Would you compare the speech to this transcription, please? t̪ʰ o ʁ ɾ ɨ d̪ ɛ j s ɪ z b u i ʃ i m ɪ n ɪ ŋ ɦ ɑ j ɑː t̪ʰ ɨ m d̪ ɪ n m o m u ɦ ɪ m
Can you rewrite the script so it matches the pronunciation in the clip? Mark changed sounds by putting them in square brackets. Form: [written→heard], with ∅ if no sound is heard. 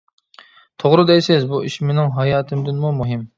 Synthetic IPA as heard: t̪ʰ o ʁ ɾ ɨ d̪ ɛ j s ɪ z b u i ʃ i m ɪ n ɪ ŋ ɦ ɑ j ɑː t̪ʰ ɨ m d̪ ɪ n m [o→u] m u ɦ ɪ m